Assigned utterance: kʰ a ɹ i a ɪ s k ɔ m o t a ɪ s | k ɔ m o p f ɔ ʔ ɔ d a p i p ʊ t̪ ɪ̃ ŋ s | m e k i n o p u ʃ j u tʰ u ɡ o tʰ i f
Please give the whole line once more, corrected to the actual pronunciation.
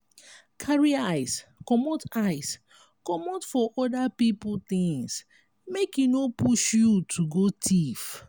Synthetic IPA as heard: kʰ a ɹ i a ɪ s k ɔ m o t a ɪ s | k ɔ m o t f ɔ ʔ ɔ d a p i p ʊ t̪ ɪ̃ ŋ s | m e k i n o p u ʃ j u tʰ u ɡ o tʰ i f

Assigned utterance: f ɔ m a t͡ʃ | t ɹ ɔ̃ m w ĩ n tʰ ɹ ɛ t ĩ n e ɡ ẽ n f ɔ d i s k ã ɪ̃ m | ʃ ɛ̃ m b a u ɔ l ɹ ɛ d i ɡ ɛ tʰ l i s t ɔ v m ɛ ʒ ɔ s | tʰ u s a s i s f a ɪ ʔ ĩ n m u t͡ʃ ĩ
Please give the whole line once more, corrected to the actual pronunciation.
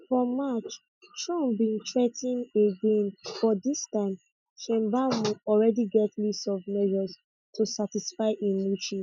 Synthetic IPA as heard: f ɔ m a t͡ʃ | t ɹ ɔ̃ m b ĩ n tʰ ɹ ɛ t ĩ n e ɡ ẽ n f ɔ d i s t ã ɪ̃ m | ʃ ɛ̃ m b a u ɔ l ɹ ɛ d i ɡ ɛ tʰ l i s t ɔ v m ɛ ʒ ɔ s | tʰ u s a t i s f a ɪ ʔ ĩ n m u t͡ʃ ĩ

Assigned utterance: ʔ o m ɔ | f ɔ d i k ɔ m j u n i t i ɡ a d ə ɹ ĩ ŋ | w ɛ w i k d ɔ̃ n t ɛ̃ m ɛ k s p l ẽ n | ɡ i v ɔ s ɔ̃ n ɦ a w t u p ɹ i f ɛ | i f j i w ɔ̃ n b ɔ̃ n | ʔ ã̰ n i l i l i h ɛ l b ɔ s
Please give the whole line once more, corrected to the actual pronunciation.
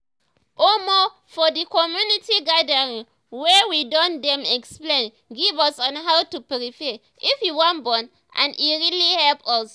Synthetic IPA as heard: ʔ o m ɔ | f ɔ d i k ɔ m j u n i t i ɡ a d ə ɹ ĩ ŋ | w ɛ w i d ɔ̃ n d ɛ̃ m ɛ k s p l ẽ n | ɡ i v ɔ s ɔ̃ n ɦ a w t u p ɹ i f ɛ | i f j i w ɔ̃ n b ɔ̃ n | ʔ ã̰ n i ɹ i l i h ɛ l p ɔ s

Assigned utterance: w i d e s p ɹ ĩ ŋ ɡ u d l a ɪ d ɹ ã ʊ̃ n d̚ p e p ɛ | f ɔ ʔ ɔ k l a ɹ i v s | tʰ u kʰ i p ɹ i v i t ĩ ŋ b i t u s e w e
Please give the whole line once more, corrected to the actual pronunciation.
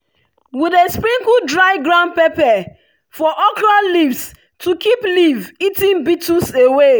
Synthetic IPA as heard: w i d e s p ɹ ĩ ŋ k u d ɹ a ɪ ɡ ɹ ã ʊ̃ n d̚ p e p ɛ | f ɔ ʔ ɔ k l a l i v s | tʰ u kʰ i p l i v i t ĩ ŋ b i t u s e w e

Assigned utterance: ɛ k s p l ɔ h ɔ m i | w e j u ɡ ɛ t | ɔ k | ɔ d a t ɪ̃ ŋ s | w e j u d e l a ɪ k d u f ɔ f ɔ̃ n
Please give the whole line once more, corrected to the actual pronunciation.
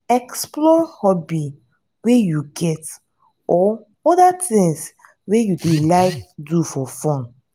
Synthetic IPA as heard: ɛ k s p l ɔ h ɔ b i | w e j u ɡ ɛ t | ɔ | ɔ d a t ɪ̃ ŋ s | w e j u d e l a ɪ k d u f ɔ f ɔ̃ n

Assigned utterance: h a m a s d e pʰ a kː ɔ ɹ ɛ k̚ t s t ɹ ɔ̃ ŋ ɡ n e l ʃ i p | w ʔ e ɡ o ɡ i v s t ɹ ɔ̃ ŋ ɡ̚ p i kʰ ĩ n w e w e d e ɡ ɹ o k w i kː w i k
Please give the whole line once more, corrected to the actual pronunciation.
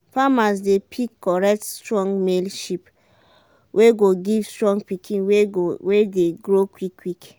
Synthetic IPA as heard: f a m a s d e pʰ i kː ɔ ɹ ɛ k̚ t s t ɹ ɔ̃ ŋ ɡ m e l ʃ i p | w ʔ e ɡ o ɡ i v s t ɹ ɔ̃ ŋ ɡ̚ p i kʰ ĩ n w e w e d e ɡ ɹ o k w i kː w i k

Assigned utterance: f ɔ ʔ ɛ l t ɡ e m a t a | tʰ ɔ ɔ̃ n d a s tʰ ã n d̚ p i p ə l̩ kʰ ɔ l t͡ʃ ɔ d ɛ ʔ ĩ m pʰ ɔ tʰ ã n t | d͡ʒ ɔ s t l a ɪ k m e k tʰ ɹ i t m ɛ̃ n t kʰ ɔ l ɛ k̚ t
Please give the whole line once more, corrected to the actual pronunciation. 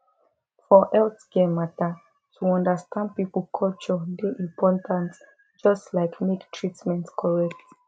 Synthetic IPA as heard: f ɔ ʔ ɛ l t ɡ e m a t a | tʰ u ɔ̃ n d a s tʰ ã n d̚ p i p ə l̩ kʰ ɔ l t͡ʃ ɔ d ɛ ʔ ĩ m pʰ ɔ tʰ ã n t | d͡ʒ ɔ s t l a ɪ k m e k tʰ ɹ i t m ɛ̃ n t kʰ ɔ ɹ ɛ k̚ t

